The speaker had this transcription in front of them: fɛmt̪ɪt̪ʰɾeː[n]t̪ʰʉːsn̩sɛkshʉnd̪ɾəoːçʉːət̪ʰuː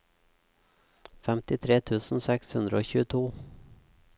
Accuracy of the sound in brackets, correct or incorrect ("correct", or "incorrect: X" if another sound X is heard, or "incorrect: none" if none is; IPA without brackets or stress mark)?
incorrect: none